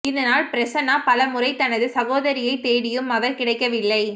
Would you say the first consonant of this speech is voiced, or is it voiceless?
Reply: voiced